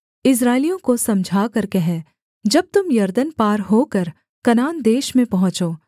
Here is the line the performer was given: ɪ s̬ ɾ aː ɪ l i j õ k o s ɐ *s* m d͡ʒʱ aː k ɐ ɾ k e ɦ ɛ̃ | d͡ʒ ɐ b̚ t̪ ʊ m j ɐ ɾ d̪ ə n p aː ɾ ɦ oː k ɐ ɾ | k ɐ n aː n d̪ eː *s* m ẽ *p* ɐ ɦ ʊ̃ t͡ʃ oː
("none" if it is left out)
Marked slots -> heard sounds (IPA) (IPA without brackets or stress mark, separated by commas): none, ʃ, p